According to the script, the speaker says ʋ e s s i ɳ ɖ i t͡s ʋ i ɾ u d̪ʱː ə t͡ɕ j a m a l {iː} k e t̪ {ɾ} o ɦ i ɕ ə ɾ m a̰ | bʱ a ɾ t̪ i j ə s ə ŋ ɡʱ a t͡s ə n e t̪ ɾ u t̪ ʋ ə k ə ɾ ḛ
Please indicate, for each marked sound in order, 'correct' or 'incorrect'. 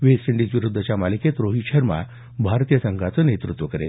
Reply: incorrect, correct

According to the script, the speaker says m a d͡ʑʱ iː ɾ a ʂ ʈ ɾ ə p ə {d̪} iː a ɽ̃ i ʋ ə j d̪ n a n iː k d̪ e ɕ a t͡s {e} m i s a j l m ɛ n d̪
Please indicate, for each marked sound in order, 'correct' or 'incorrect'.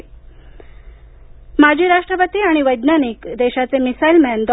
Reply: incorrect, correct

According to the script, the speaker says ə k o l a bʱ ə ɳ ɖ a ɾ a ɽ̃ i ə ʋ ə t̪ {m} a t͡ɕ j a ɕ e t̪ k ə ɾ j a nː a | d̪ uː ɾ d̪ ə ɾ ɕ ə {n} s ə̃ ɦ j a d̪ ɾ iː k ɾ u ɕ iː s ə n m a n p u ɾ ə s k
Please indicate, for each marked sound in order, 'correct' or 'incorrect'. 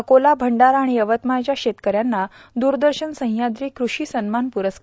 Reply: correct, correct

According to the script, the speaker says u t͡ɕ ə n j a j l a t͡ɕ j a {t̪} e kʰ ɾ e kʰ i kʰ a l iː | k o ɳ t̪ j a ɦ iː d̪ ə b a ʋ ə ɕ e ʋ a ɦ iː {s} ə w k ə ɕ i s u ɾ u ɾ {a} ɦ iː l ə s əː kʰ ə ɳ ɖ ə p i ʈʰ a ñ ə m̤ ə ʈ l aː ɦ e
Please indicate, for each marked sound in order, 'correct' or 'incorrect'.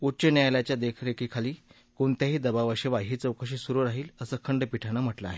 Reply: incorrect, incorrect, correct

